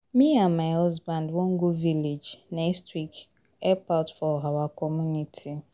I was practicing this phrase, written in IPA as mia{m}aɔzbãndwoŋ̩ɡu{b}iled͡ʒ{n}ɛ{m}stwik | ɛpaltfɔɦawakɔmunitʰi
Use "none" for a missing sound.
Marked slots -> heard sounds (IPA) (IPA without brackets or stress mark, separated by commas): m, v, n, none